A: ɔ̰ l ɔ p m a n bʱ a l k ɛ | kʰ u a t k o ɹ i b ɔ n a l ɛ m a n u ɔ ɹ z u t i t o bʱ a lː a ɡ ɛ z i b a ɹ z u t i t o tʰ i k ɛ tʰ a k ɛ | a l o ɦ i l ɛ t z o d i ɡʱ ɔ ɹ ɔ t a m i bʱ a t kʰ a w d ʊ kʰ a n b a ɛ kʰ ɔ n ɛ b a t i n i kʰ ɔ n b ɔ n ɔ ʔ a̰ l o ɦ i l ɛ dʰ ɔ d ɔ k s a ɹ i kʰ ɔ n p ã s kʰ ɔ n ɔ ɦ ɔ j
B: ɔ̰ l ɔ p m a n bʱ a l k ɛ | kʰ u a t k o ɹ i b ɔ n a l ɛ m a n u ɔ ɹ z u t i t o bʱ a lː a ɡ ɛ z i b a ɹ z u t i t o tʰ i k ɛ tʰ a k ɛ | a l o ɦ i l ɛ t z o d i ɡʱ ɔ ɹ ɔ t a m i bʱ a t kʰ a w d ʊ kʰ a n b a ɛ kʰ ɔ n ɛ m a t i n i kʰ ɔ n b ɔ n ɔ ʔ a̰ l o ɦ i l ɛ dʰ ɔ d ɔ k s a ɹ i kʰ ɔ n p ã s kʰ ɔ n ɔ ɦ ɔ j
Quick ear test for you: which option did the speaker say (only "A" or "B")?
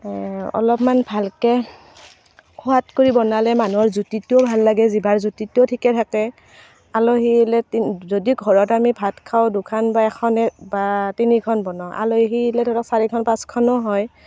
A